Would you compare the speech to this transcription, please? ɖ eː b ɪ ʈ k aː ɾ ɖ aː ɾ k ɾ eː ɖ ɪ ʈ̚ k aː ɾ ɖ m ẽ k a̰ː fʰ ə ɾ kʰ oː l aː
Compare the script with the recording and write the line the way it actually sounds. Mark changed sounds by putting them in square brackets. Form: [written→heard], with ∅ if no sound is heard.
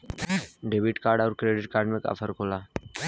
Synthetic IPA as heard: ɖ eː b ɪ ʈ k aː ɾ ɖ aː ɾ k ɾ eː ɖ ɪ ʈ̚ k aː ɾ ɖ m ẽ k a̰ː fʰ ə ɾ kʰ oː l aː